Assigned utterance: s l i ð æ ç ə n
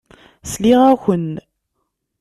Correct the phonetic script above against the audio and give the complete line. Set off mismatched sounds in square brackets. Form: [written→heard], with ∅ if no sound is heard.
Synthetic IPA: s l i [ð→ʁ] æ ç ə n